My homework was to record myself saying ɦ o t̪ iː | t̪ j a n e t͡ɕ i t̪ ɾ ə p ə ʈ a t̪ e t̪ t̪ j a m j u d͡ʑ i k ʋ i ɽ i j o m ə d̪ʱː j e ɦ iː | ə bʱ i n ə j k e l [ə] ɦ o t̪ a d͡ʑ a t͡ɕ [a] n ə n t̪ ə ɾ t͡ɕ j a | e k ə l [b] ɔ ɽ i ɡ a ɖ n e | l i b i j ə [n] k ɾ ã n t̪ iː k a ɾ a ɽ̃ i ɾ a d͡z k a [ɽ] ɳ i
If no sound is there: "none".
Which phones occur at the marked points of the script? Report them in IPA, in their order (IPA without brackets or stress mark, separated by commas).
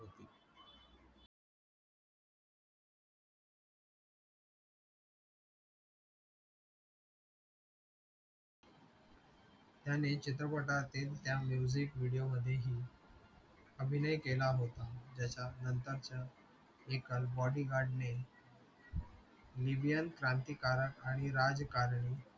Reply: a, a, b, n, ɾ